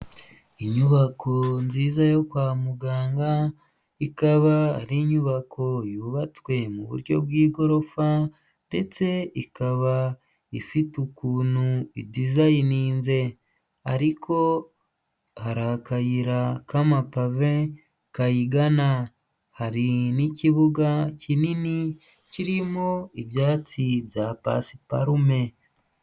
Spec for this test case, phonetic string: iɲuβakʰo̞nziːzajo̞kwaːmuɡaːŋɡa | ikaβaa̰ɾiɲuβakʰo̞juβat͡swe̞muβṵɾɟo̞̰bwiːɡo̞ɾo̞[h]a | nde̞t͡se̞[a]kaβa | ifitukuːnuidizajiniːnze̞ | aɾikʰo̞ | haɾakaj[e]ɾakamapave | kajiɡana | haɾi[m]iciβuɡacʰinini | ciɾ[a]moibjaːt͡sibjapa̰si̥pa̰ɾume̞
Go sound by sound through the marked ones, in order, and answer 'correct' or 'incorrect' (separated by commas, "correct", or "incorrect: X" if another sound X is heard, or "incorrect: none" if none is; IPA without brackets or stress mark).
incorrect: f, incorrect: i, incorrect: i, incorrect: n, incorrect: i